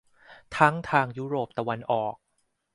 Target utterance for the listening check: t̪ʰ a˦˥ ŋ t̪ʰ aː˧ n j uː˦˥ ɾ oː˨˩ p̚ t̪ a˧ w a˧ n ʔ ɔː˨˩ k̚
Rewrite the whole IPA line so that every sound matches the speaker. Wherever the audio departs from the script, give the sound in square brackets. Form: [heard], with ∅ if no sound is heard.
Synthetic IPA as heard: t̪ʰ a˦˥ ŋ t̪ʰ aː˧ [ŋ] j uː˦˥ ɾ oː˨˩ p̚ t̪ a˧ w a˧ n ʔ ɔː˨˩ k̚